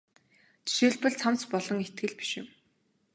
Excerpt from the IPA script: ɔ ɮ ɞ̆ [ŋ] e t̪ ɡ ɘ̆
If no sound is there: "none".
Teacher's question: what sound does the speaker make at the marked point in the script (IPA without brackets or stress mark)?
ŋ